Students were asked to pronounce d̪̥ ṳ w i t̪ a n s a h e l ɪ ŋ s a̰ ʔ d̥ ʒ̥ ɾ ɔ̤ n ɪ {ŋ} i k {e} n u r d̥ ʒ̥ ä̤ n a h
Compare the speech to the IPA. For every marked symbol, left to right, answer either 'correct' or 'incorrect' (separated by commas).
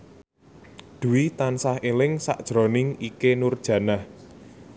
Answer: correct, correct